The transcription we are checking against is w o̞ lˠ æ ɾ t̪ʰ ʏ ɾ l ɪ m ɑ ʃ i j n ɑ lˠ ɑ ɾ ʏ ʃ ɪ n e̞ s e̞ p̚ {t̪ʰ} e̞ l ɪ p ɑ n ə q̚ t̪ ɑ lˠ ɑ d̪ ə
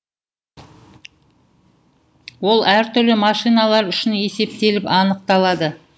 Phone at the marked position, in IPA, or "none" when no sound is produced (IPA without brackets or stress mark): t̪